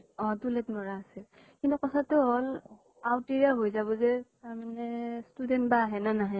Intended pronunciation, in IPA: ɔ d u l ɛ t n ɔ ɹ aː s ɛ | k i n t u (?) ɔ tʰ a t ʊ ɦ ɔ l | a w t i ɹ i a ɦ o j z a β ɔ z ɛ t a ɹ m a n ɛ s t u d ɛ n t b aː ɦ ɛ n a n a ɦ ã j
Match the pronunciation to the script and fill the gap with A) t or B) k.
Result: B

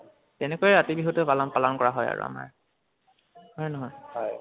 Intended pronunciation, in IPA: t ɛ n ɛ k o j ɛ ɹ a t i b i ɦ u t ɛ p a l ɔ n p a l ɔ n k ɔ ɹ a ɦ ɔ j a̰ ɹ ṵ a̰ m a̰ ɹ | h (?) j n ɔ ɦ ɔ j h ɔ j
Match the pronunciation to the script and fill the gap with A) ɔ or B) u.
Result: A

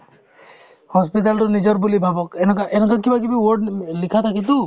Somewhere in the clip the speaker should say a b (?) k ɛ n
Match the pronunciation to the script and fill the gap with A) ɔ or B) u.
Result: A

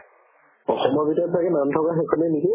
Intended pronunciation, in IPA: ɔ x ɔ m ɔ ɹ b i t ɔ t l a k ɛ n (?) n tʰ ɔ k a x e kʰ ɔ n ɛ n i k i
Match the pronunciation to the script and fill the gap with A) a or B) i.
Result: A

